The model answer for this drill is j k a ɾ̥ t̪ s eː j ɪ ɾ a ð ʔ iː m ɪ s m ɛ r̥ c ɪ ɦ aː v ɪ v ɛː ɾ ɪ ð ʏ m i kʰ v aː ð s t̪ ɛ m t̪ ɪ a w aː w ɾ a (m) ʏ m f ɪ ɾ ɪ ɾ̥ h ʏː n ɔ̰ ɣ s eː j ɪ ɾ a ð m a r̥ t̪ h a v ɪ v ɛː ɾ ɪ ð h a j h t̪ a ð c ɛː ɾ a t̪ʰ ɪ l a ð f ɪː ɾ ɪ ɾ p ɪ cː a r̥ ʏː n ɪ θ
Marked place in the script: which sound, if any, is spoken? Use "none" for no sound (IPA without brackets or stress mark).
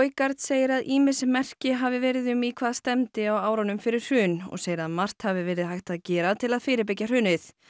n